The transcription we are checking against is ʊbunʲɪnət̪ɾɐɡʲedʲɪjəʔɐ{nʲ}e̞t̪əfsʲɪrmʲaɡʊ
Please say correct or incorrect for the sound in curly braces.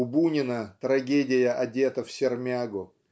incorrect: dʲ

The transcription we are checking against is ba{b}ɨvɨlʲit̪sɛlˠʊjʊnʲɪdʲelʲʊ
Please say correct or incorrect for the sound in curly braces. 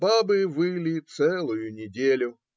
correct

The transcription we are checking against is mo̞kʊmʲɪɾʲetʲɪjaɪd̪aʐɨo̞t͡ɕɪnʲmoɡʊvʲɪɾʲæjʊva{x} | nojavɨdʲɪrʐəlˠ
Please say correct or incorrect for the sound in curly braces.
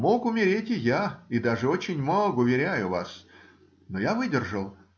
incorrect: s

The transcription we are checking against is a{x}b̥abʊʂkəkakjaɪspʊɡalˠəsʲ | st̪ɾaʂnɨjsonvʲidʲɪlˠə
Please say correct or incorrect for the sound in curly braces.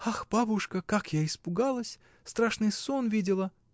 correct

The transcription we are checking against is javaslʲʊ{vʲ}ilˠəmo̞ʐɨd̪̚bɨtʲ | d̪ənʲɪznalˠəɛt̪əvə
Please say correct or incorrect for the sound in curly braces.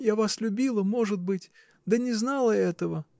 incorrect: bʲ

